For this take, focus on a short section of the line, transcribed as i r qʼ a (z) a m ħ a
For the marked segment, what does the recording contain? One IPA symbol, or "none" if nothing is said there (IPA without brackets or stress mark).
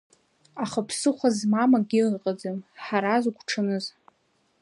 d͡z